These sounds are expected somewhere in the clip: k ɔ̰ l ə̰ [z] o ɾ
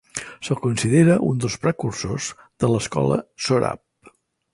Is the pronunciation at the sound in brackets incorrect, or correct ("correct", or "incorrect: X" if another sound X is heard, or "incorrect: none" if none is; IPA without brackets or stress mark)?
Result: incorrect: s